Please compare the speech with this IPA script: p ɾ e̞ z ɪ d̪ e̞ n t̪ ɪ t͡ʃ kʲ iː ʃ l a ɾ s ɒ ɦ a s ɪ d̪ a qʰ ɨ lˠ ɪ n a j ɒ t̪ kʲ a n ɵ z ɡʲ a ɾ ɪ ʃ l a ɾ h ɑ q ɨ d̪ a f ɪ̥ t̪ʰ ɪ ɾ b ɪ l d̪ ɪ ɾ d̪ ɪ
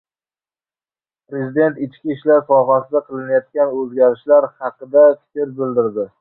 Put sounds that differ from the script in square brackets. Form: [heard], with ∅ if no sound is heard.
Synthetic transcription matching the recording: p ɾ e̞ z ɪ d̪ e̞ n t̪ ɪ t͡ʃ kʲ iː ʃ l a ɾ s ɒ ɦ a s ɪ d̪ a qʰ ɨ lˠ ɪ n a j ɒ t̪ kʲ a n ɵ z ɡʲ a ɾ ɪ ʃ l a ɾ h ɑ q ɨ d̪ a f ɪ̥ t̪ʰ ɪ ɾ b ɪ l d̪ ɪ ɾ d̪ ɪ